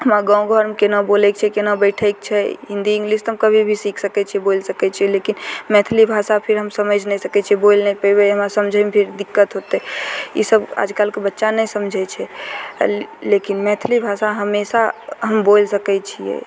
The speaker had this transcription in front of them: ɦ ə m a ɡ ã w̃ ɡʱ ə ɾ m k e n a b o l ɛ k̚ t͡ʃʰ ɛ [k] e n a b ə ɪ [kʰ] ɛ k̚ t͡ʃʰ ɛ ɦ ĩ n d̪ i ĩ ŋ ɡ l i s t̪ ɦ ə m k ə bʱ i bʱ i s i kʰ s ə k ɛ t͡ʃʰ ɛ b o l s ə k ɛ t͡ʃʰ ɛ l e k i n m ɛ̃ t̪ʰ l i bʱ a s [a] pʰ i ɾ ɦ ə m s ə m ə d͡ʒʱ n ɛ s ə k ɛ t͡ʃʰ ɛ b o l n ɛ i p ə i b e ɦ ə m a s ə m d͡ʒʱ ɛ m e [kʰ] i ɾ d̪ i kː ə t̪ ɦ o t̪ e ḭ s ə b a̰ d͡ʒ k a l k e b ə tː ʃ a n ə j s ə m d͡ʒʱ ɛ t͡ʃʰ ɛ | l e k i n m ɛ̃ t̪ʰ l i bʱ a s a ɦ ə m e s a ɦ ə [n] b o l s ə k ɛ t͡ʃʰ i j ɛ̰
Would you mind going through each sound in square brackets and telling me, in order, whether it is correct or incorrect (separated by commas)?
correct, incorrect, correct, incorrect, incorrect